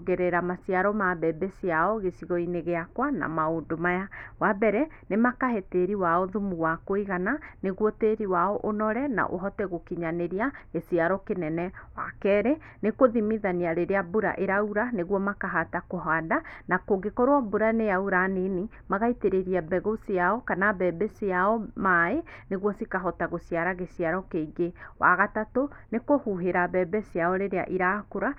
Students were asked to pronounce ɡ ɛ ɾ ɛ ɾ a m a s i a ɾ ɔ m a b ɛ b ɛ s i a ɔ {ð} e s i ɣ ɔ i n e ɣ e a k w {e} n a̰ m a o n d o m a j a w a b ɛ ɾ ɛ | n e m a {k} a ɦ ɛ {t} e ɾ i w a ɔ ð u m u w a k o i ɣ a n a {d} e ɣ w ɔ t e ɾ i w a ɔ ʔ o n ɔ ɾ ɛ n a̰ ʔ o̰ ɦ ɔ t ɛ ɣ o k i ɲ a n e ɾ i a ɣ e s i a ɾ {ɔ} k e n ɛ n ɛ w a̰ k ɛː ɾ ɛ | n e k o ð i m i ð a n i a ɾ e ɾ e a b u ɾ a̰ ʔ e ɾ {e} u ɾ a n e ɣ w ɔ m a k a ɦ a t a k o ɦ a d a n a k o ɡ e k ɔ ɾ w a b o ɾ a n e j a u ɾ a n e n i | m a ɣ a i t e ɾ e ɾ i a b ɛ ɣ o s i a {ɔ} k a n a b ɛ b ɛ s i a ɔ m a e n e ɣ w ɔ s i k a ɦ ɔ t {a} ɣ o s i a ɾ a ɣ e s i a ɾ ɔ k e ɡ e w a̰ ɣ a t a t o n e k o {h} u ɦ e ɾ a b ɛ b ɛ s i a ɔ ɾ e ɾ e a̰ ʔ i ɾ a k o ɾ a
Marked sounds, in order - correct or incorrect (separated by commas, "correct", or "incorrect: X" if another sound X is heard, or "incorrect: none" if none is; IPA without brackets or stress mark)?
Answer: incorrect: ɣ, incorrect: a, correct, correct, incorrect: n, correct, incorrect: a, correct, correct, correct